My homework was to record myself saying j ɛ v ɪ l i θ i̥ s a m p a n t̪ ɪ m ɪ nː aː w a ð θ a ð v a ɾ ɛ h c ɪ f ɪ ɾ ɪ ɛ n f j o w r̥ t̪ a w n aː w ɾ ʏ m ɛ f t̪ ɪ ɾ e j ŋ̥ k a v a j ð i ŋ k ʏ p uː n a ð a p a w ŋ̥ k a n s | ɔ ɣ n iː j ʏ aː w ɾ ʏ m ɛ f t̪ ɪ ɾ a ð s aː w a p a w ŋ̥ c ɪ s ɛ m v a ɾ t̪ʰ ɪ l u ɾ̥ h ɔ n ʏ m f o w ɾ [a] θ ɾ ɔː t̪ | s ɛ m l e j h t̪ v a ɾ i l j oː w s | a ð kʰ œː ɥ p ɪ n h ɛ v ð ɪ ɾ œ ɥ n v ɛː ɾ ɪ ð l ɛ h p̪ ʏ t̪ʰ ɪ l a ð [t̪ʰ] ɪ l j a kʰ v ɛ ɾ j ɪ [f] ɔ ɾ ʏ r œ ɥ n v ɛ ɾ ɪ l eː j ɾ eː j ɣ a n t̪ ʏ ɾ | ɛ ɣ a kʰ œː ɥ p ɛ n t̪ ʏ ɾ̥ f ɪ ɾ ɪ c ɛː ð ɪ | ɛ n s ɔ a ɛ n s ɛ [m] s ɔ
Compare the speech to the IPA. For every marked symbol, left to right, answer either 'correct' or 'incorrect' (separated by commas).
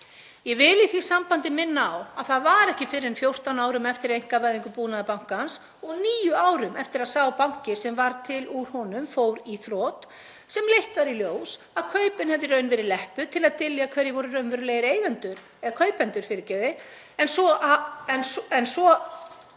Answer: incorrect, incorrect, incorrect, incorrect